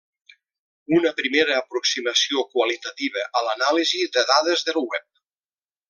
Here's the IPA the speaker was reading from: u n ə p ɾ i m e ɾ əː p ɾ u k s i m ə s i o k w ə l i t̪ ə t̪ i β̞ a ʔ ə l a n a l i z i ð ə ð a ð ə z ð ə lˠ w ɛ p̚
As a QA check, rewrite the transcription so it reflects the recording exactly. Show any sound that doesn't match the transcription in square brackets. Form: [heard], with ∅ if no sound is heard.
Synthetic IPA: u n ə p ɾ i m e ɾ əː p ɾ u k s i m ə s i o k w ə l i t̪ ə t̪ i β̞ [ə] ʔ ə l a n a l i z i ð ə ð a ð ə z ð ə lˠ w ɛ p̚